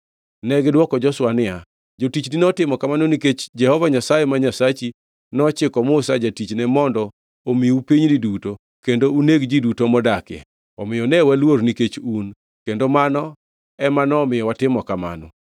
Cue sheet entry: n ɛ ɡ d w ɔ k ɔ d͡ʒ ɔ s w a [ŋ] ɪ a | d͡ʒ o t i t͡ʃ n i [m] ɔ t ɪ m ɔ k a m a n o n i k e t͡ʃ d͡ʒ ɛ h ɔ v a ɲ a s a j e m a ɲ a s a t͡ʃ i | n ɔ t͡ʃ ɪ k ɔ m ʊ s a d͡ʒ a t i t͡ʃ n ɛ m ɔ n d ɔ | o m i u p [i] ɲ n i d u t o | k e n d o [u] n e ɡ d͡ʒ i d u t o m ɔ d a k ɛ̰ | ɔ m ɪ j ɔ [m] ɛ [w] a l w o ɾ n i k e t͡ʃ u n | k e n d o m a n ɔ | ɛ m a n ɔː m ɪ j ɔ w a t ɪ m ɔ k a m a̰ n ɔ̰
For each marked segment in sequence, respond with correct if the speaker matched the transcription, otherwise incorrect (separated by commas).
incorrect, incorrect, correct, correct, incorrect, correct